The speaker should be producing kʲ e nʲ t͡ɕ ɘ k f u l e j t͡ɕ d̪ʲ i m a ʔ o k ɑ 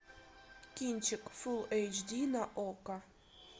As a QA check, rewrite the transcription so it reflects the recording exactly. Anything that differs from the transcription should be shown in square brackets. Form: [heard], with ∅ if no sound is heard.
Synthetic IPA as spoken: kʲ [i] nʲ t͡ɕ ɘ k f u l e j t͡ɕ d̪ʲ i [n] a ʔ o k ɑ